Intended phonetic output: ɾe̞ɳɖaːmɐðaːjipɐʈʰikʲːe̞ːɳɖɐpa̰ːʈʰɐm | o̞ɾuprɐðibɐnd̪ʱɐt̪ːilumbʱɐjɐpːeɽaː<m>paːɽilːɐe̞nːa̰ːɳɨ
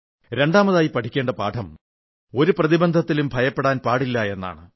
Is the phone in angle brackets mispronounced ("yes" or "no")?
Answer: yes